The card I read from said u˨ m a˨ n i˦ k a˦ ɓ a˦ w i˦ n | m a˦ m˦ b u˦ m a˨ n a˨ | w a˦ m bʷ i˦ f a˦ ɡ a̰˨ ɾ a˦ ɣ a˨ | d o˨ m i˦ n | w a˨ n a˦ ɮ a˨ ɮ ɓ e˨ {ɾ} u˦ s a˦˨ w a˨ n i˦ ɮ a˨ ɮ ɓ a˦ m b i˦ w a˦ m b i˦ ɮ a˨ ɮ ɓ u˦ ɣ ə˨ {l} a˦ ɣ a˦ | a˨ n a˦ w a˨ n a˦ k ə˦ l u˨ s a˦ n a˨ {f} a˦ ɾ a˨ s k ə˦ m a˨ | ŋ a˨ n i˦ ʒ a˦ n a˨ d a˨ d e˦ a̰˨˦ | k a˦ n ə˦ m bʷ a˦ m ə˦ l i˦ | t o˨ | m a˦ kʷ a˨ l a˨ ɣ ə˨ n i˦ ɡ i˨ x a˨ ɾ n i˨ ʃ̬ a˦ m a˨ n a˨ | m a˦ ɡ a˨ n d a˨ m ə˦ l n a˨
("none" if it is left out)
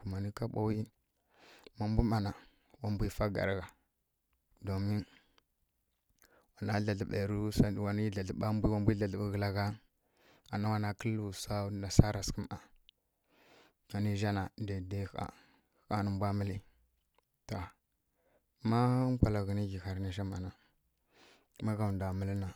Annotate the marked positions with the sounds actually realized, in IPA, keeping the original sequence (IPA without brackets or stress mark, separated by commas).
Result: ɾ, l, s